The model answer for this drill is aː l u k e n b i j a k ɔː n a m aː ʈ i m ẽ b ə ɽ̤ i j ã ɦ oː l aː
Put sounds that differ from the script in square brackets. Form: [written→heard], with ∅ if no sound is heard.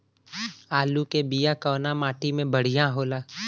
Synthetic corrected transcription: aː l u k e [n→∅] b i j a k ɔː n a m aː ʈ i m ẽ b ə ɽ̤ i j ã ɦ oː l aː